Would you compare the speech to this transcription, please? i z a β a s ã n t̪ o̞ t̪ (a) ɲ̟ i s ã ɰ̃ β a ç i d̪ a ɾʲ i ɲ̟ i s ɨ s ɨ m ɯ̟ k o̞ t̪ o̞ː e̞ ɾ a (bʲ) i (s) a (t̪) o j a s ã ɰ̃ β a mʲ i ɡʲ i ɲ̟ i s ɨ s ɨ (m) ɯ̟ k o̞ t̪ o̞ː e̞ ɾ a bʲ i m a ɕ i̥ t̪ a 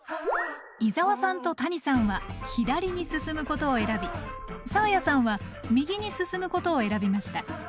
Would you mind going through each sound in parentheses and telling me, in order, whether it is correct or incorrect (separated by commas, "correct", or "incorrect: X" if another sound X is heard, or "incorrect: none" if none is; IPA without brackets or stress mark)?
correct, correct, correct, incorrect: none, correct